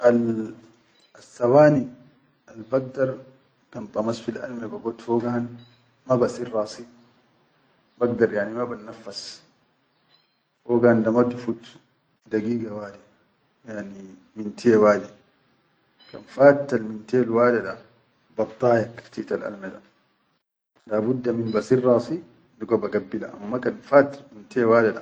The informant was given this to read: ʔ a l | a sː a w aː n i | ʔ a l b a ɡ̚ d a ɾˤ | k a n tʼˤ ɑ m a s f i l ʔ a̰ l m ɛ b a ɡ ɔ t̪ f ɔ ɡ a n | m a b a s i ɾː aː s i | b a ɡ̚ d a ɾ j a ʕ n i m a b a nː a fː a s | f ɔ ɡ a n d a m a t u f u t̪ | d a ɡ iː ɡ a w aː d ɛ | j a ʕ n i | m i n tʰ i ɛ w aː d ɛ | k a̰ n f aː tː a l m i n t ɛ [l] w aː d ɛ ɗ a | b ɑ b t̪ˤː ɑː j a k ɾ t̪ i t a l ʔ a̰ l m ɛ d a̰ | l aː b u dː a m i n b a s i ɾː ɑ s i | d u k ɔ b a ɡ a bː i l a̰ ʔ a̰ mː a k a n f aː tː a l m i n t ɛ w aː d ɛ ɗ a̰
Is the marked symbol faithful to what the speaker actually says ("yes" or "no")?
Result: yes